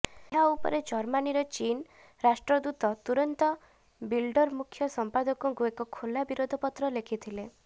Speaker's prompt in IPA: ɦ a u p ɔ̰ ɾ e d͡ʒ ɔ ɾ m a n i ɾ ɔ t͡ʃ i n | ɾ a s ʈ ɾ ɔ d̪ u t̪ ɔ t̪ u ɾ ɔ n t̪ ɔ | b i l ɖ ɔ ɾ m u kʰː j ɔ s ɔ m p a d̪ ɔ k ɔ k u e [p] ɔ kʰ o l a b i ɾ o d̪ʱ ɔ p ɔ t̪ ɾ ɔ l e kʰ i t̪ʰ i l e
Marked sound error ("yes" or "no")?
yes